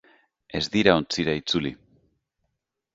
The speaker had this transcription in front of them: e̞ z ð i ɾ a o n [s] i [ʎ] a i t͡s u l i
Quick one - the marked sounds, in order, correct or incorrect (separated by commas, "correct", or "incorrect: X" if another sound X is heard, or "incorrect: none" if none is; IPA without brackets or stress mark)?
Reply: incorrect: t͡s, incorrect: ɾ